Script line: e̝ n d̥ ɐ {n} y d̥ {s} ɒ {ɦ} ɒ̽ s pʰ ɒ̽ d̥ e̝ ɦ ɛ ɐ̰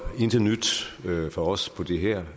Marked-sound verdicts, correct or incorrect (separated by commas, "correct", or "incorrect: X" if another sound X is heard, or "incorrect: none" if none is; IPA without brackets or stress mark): correct, incorrect: f, incorrect: none